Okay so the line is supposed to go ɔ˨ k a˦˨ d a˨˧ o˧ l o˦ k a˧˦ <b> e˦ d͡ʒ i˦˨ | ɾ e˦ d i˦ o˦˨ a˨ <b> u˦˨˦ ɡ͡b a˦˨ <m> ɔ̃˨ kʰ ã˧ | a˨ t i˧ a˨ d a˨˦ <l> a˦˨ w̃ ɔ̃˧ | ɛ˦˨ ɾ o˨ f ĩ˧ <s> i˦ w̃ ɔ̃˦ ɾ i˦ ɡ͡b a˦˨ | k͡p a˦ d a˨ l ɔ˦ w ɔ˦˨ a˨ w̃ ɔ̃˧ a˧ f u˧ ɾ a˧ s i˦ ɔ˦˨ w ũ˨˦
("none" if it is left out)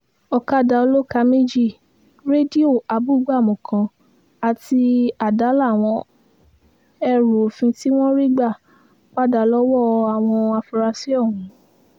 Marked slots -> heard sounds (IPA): m, b, m, l, t

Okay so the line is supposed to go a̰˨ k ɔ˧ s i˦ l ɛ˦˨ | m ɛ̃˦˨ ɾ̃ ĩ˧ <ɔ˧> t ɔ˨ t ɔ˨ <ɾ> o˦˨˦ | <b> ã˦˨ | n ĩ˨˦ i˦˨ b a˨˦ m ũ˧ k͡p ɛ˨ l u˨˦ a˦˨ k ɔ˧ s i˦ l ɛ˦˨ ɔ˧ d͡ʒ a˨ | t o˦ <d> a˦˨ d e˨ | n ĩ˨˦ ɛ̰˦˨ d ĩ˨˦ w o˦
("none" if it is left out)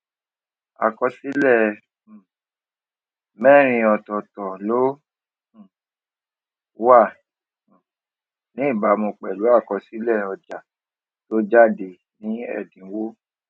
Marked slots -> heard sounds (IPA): ɔ˧, l, w, d͡ʒ

